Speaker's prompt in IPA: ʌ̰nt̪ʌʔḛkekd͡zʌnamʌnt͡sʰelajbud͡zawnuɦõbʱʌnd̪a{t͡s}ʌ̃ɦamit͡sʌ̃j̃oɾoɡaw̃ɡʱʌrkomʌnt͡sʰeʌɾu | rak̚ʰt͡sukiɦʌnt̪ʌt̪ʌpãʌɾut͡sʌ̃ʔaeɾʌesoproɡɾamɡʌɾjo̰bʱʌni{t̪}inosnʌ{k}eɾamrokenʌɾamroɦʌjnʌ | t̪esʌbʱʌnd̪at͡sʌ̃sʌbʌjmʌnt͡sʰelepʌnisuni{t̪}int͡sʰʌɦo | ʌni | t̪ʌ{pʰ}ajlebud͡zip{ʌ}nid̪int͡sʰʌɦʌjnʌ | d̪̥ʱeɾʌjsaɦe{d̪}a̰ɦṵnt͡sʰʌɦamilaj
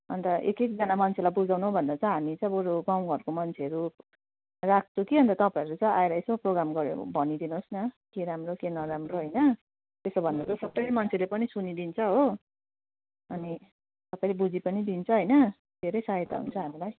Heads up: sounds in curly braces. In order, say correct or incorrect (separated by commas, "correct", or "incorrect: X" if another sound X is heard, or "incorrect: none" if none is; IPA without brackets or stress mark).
correct, incorrect: d̪, correct, incorrect: d̪, incorrect: p, correct, incorrect: t̪